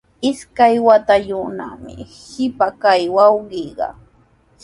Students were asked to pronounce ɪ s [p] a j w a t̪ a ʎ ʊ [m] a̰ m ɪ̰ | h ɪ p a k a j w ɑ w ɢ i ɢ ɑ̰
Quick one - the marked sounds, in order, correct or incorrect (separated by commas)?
incorrect, incorrect